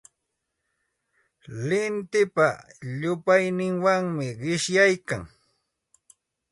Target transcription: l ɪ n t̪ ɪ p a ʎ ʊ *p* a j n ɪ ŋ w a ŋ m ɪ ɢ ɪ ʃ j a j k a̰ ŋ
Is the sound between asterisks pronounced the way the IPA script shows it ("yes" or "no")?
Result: yes